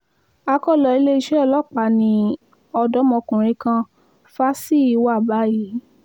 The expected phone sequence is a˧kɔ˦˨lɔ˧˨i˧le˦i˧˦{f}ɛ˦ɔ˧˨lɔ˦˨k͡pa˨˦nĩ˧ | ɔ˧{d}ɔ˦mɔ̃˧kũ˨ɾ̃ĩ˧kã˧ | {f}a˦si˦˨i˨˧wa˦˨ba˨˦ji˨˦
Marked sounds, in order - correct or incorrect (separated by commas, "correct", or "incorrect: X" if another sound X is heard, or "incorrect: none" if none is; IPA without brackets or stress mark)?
incorrect: ʃ, correct, correct